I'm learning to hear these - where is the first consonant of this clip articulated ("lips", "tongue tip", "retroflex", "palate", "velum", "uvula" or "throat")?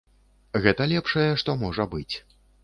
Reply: velum